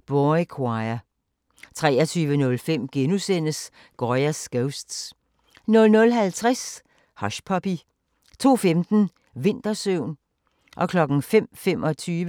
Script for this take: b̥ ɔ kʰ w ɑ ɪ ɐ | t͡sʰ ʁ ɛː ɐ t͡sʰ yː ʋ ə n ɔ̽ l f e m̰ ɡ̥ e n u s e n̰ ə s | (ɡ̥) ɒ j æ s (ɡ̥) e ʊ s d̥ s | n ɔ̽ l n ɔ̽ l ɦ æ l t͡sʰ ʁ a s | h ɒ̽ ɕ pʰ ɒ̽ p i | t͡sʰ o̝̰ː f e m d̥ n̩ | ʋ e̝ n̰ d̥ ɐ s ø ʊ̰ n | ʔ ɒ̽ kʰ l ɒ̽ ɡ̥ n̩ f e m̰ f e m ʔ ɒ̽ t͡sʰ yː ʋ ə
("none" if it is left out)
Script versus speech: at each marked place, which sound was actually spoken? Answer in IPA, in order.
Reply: ɡ̥, ɡ̥

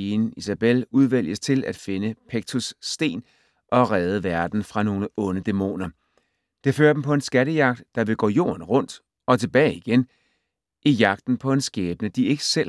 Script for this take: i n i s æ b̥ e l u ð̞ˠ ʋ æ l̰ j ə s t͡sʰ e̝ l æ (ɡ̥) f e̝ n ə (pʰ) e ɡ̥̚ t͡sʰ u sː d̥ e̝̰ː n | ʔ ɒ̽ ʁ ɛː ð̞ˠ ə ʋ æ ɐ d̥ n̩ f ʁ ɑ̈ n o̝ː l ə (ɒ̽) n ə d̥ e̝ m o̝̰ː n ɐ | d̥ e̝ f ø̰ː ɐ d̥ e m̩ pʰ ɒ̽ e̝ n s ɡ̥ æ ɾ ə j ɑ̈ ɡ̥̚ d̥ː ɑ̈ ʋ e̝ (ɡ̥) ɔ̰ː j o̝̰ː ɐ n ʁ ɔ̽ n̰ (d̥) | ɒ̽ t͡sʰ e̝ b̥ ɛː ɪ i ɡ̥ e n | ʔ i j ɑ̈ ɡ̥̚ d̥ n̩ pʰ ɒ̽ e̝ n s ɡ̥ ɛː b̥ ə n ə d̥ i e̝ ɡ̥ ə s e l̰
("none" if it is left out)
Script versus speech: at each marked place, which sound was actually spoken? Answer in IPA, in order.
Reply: d̥, pʰ, ɔ̽, ɡ̥, d̥

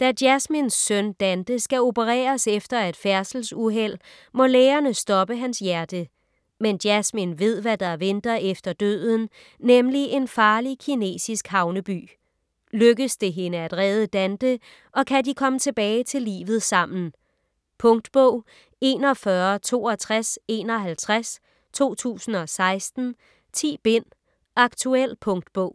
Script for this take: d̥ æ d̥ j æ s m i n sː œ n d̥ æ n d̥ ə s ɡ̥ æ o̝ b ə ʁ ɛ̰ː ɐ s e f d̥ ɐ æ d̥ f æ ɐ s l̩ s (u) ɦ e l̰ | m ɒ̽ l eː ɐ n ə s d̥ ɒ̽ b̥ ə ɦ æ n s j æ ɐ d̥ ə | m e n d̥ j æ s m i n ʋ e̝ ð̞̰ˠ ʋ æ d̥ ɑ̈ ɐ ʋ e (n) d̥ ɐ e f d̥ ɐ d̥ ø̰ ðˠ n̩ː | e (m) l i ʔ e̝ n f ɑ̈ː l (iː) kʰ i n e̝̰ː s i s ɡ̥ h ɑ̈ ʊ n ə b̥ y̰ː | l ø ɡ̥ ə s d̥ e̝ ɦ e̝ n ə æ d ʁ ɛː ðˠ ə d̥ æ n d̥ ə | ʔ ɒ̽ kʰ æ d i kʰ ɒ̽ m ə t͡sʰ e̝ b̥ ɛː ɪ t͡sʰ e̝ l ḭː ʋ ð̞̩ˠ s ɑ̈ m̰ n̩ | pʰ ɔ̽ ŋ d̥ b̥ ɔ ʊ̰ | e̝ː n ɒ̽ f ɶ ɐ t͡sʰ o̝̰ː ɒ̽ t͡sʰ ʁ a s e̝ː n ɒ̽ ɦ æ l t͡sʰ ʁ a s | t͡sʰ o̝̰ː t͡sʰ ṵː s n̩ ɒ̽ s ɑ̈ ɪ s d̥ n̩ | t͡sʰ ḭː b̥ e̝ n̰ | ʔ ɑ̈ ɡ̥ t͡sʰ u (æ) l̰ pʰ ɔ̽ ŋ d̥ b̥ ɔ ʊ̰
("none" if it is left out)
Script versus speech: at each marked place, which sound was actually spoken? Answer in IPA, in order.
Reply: u, n, m, i, e

